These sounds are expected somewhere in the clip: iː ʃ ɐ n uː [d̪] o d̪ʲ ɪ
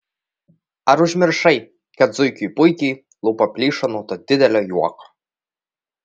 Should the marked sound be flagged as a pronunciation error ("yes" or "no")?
yes